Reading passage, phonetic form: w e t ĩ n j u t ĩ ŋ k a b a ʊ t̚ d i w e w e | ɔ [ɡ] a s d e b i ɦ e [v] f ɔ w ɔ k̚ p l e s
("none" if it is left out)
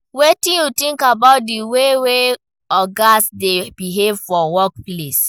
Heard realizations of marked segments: ɡ, v

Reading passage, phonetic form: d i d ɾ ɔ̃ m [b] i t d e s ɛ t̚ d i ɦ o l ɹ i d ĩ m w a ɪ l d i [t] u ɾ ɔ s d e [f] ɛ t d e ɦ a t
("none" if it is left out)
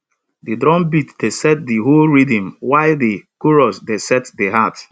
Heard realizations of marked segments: b, k, s

